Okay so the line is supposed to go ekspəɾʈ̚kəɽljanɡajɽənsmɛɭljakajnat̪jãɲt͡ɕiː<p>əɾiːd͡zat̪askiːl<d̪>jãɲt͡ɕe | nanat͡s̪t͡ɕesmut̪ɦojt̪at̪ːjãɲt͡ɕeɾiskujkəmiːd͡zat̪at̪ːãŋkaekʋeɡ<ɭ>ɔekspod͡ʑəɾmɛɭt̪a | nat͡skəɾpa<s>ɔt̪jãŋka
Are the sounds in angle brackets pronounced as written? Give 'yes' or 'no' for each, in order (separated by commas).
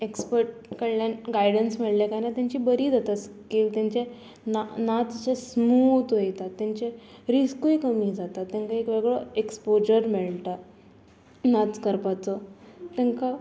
no, no, yes, no